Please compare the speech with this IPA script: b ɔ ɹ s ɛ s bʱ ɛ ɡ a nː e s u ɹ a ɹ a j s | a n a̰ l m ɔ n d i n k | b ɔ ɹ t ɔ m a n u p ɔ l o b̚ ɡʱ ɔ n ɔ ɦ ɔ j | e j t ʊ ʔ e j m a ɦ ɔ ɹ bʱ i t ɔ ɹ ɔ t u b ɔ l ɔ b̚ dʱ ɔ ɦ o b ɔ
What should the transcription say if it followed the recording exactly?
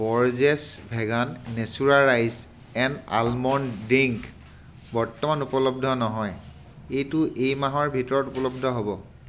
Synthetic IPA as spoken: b ɔ ɹ z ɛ s bʱ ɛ ɡ a nː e s u ɹ a ɹ a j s | ɛ n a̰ l m ɔ n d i ŋ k | b ɔ ɹ t ɔ m a n u p ɔ l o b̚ dʱ ɔ n ɔ ɦ ɔ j | e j t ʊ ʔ e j m a ɦ ɔ ɹ bʱ i t ɔ ɹ ɔ t u p ɔ l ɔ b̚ dʱ ɔ ɦ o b ɔ